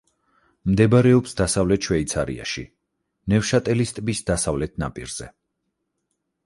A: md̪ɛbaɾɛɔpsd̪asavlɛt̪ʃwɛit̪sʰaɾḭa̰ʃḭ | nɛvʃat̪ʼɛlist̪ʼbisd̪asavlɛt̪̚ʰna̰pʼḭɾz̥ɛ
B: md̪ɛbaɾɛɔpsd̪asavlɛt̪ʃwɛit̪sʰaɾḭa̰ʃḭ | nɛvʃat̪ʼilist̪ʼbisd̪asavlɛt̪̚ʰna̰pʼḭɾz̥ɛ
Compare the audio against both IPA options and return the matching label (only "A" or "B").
A